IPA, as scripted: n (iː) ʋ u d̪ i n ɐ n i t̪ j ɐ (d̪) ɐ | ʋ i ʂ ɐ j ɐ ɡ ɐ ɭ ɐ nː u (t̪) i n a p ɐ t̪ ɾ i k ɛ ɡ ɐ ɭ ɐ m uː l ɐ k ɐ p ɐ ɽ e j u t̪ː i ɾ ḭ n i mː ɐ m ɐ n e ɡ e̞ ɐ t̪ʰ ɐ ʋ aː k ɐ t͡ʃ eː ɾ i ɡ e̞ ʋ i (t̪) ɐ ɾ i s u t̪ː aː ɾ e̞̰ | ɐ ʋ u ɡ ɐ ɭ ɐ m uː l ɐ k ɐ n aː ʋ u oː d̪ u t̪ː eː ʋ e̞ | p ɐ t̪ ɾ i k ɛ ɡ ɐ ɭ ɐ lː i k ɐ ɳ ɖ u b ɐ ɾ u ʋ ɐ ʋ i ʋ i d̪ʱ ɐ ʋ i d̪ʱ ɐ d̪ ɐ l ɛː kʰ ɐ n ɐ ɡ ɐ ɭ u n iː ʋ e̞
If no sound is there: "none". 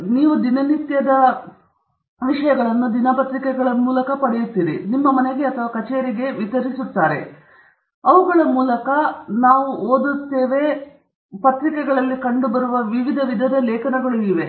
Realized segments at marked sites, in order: iː, d̪, d̪, t̪

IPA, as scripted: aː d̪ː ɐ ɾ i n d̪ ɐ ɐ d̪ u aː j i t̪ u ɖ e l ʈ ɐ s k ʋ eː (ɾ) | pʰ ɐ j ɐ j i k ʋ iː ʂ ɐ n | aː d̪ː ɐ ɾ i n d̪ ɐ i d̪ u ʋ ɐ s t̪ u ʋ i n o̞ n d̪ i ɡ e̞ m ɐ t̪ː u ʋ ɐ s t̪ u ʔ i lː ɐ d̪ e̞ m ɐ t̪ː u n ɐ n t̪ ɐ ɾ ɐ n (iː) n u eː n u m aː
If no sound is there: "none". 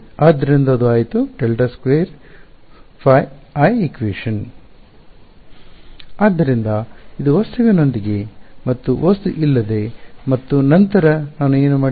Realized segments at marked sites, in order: ɾ, aː

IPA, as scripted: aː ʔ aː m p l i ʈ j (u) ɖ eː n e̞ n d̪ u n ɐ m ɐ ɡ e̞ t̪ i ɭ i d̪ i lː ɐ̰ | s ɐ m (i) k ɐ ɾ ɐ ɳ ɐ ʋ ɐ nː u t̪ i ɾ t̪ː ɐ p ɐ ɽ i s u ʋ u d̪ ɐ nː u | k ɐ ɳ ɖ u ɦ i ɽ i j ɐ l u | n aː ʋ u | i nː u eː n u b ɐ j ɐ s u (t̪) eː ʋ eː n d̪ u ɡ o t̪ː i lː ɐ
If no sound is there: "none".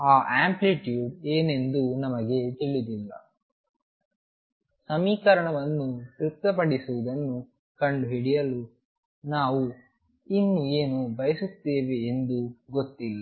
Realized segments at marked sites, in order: uː, iː, t̪

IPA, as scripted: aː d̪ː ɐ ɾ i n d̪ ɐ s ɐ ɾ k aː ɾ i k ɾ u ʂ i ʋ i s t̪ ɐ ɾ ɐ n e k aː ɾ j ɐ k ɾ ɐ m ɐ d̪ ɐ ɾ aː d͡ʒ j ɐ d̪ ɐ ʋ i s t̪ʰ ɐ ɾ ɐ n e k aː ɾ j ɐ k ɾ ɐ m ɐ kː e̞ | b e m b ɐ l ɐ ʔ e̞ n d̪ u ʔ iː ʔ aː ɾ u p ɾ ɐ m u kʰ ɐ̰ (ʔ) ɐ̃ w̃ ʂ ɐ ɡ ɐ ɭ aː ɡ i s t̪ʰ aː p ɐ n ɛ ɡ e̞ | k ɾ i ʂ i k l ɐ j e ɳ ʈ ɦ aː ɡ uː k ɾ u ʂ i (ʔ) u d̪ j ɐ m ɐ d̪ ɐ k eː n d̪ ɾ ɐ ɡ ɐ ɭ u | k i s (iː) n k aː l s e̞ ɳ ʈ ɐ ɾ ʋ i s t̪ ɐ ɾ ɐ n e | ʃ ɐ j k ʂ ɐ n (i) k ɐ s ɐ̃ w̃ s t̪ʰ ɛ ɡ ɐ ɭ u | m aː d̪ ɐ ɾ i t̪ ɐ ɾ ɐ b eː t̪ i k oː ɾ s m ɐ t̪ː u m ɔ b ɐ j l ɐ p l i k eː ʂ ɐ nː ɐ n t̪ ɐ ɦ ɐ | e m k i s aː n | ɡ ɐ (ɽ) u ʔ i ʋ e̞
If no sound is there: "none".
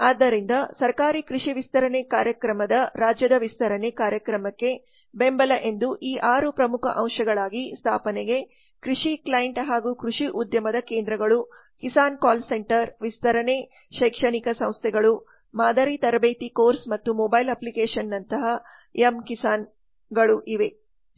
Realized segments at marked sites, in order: ʔ, ʔ, aː, i, ɭ

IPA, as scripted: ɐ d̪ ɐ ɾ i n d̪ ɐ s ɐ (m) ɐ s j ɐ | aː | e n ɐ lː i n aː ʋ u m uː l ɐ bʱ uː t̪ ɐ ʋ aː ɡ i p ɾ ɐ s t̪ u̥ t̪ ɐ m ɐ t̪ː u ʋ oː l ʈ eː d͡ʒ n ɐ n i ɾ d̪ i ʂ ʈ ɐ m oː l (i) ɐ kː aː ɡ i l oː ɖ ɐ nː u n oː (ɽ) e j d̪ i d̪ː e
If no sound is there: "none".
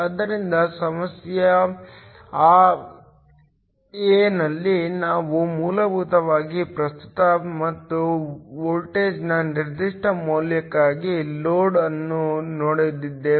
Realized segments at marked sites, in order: m, j, ɽ

